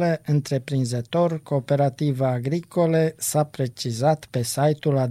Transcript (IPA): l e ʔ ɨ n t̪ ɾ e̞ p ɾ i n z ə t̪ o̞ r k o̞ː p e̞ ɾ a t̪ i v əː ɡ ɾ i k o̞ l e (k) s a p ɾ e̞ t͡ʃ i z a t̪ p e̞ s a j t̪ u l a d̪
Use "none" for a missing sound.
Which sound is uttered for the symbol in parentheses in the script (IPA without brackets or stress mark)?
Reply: none